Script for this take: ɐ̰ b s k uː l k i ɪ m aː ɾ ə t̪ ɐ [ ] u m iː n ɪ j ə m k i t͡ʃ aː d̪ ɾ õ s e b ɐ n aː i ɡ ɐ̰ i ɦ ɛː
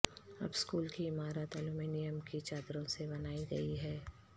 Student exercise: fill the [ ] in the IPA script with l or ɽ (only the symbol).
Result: l